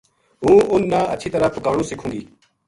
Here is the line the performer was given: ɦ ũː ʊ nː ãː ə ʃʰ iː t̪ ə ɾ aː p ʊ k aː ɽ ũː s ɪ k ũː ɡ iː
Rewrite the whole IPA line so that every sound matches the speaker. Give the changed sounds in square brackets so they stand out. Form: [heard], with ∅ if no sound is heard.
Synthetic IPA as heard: ɦ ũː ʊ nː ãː ə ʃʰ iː t̪ ə ɾ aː p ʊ k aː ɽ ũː s ɪ [kʰ] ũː ɡ iː